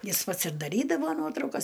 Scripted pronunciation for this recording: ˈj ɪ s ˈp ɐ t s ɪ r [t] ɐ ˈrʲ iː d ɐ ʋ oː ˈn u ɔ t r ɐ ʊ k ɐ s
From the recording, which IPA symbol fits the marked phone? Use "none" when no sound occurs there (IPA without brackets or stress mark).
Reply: d